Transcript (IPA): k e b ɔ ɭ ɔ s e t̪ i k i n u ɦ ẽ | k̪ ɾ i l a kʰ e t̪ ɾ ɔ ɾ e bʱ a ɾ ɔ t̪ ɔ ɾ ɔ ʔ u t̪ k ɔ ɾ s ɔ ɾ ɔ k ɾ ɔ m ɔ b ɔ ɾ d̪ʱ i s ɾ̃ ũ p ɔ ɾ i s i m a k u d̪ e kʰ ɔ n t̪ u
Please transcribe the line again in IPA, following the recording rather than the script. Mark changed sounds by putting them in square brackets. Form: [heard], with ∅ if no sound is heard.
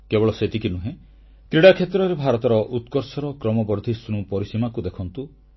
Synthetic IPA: k e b ɔ ɭ ɔ s e t̪ i k i n u ɦ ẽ | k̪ ɾ i [ɽ] a kʰ e t̪ ɾ ɔ ɾ e bʱ a ɾ ɔ t̪ ɔ ɾ ɔ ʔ u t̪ k ɔ ɾ s ɔ ɾ ɔ k ɾ ɔ m ɔ b ɔ ɾ d̪ʱ i s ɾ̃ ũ p ɔ ɾ i s i m a k u d̪ e kʰ ɔ n t̪ u